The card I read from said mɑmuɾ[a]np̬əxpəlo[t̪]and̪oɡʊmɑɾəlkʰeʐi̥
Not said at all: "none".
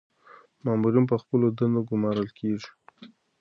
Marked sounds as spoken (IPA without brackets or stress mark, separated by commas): i, d̪